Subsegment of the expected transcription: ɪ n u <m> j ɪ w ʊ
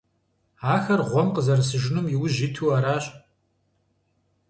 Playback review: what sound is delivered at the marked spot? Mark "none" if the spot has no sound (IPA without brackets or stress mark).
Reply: m